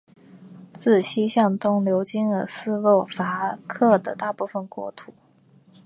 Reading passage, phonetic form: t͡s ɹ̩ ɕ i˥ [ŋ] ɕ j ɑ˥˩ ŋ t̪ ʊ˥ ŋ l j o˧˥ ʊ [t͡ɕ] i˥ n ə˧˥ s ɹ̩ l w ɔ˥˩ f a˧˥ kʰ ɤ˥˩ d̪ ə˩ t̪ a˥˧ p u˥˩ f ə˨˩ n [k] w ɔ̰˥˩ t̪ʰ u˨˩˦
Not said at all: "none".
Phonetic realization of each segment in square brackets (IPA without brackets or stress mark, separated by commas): none, t͡ɕ, k